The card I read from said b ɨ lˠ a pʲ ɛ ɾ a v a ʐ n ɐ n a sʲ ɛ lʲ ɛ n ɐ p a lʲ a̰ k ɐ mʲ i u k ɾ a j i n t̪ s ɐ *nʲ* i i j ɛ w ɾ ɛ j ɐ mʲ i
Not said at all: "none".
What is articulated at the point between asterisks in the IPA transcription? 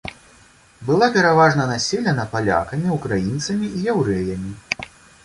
mʲ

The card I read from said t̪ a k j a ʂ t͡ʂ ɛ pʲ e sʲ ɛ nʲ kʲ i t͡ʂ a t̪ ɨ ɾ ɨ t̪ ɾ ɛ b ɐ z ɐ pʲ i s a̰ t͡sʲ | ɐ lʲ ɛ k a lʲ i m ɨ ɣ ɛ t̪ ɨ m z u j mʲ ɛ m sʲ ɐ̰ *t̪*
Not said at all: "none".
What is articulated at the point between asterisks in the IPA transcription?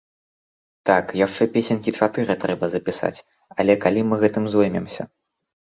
none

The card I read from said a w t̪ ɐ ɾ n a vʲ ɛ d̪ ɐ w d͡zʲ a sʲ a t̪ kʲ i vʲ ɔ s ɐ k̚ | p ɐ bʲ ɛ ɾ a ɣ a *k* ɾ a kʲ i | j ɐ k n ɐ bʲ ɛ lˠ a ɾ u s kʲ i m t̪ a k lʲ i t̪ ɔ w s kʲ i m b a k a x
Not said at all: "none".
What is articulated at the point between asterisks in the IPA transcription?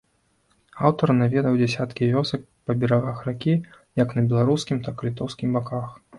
x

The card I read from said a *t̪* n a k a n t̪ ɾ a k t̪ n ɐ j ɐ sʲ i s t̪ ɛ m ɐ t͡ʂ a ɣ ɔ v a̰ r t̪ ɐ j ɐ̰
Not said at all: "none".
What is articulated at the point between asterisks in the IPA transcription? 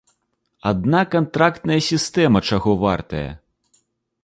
d̪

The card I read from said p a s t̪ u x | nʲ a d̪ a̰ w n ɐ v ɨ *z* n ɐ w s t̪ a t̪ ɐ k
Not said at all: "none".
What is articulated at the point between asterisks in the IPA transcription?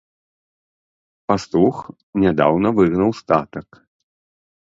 ɣ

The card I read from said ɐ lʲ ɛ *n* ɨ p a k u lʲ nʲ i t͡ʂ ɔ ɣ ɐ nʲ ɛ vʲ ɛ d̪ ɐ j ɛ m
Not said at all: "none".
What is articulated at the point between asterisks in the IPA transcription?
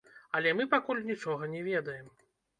m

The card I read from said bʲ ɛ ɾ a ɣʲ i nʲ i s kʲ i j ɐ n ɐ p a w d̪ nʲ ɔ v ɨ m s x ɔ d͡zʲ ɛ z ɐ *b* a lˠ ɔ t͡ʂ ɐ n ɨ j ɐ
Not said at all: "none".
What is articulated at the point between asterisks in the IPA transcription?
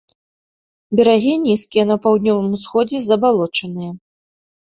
b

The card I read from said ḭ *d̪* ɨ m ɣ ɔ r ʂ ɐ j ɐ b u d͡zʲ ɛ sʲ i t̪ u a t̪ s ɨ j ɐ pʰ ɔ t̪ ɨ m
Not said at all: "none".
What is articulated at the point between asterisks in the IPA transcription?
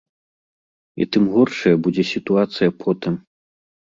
t̪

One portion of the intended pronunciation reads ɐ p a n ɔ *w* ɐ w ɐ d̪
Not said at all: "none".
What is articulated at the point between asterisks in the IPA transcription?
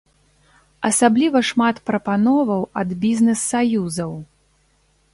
v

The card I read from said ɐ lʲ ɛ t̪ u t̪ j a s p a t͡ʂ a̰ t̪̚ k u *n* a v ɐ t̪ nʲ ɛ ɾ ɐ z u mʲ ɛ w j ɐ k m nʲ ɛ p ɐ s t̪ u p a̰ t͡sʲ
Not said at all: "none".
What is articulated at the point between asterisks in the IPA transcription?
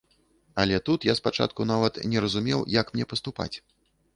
n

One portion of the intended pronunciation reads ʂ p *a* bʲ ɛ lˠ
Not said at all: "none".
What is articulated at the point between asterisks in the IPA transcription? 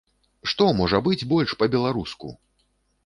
ɐ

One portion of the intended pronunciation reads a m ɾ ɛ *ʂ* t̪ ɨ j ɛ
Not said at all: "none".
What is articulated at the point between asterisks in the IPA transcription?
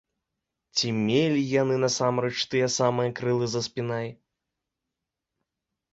t͡ʂ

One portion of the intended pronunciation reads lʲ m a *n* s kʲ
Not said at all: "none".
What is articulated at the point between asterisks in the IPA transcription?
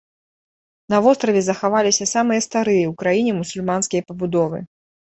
n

